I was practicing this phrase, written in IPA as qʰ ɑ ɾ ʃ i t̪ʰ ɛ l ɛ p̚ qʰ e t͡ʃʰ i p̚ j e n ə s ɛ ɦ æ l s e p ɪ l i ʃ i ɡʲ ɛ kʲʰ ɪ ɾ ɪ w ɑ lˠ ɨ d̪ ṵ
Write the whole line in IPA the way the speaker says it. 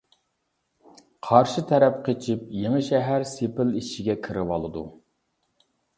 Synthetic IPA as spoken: qʰ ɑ ɾ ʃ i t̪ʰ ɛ ɾ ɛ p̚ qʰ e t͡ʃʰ i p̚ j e ŋ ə ʃ ɛ ɦ æ ɾ s e p ɪ l i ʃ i ɡʲ ɛ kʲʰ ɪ ɾ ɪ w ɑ lˠ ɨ d̪ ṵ

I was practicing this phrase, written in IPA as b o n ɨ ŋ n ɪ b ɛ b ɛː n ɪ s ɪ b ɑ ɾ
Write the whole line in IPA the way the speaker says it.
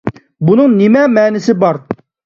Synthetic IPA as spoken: b u n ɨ ŋ n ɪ m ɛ m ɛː n ɪ s ɪ b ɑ ɾ

